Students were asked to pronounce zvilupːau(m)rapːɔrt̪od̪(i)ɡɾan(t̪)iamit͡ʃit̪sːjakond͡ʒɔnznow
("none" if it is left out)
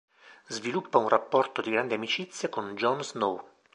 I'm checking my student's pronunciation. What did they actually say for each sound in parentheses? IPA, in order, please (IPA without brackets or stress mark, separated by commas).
n, i, d̪